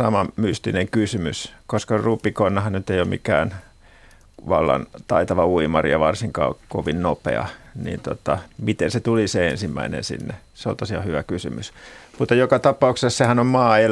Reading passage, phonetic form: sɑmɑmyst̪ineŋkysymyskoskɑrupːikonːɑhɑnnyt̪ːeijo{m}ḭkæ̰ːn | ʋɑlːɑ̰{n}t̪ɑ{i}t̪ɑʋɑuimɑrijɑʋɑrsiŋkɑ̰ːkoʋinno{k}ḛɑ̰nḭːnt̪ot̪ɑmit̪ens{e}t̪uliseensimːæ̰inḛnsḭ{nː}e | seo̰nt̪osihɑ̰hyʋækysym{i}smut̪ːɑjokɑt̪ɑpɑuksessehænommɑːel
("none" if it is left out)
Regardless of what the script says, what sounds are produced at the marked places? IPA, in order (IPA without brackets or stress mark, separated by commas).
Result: m, n, i, p, e, nː, y